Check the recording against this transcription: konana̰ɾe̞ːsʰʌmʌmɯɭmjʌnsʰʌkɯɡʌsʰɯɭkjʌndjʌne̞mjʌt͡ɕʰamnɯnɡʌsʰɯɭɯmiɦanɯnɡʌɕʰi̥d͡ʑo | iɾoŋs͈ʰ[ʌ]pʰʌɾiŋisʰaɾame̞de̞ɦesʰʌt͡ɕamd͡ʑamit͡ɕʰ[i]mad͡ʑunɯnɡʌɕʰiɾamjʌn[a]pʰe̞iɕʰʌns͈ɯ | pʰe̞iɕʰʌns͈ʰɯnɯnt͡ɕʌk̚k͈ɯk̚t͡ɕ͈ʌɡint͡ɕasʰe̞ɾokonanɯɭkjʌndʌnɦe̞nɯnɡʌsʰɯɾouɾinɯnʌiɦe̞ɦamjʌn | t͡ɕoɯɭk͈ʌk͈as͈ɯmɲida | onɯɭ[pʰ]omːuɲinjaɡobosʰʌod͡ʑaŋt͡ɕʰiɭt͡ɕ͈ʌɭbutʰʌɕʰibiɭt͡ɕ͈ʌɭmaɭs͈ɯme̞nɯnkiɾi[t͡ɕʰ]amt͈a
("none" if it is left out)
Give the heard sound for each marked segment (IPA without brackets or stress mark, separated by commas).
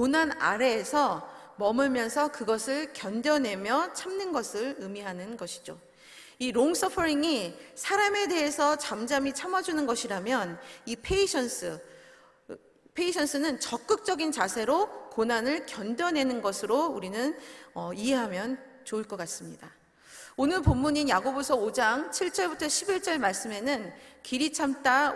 ʌ, a, i, p, t͡ɕʰ